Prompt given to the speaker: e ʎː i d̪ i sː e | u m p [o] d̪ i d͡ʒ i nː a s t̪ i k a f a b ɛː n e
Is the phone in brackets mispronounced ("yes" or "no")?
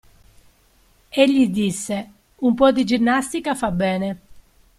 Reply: yes